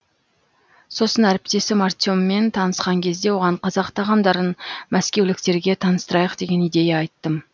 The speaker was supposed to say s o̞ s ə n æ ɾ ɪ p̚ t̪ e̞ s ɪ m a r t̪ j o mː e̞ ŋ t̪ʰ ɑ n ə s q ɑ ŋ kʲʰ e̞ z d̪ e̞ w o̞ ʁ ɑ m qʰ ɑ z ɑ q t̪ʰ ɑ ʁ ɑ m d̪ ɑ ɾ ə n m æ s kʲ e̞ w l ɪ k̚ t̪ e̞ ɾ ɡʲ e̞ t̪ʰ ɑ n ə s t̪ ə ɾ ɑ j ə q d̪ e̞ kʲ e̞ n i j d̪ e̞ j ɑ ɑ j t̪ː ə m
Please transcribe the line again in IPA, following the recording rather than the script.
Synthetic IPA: s o̞ s ə n æ ɾ ɪ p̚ t̪ e̞ s ɪ m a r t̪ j o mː e̞ n t̪ʰ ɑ n ə s q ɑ ŋ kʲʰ e̞ z d̪ e̞ w o̞ ʁ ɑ ɴ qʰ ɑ z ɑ q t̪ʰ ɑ ʁ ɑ m d̪ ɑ ɾ ə n m æ s kʲ e̞ w l ɪ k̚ t̪ e̞ ɾ ɡʲ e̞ t̪ʰ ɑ n ə s t̪ ə ɾ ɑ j ə q d̪ e̞ ɡʲ e̞ n i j d̪ e̞ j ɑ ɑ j t̪ː ə m